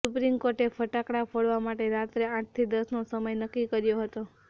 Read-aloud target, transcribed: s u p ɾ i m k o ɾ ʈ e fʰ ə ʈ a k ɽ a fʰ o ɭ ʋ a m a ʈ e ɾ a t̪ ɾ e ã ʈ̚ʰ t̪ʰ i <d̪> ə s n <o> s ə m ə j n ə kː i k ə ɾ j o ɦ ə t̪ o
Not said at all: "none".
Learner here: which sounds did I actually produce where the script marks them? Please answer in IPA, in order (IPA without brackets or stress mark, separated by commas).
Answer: d̪, o